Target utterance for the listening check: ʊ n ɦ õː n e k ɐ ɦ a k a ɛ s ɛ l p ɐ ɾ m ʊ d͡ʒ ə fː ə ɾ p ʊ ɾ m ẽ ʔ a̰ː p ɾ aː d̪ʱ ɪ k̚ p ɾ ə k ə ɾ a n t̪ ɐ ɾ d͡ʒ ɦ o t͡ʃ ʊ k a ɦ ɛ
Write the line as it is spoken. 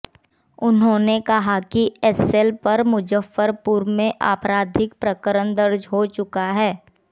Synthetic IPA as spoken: ʊ n ɦ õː n e k ɐ ɦ a k i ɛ s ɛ l p ɐ ɾ m ʊ d͡ʒ ə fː ə ɾ p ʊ ɾ m ẽ ʔ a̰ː p ɾ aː d̪ʱ ɪ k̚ p ɾ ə k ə ɾ ə n d̪ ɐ ɾ d͡ʒ ɦ o t͡ʃ ʊ k a ɦ ɛː